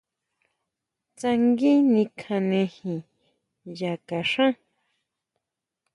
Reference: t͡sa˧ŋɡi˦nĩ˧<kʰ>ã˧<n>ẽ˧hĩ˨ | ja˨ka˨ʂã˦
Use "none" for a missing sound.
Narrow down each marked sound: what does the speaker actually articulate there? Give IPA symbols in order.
kʰ, n

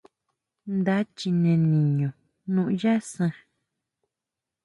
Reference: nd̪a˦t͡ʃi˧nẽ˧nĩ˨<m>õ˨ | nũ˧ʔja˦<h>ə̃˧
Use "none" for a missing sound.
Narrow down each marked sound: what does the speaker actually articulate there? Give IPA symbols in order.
ɲ, s

